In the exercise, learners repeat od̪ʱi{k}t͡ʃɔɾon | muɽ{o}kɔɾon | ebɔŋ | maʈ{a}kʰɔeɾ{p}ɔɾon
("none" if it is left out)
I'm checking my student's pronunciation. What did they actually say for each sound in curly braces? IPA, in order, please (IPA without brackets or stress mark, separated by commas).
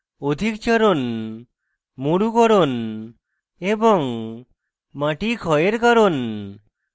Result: k, u, i, k